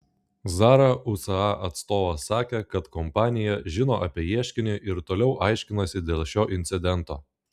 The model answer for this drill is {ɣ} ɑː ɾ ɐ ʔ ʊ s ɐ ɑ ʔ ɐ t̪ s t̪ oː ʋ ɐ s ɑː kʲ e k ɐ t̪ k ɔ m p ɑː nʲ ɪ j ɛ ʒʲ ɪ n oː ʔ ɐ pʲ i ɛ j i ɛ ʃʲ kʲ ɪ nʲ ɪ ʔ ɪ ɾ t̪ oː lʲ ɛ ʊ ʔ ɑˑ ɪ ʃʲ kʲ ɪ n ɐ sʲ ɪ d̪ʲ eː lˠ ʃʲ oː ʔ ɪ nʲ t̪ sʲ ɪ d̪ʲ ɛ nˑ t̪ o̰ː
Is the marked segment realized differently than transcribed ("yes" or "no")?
yes